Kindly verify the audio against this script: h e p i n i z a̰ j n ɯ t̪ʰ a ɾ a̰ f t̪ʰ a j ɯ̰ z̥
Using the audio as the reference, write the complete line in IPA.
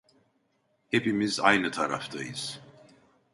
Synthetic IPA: h e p i m i z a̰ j n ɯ t̪ʰ a ɾ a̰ f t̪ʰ a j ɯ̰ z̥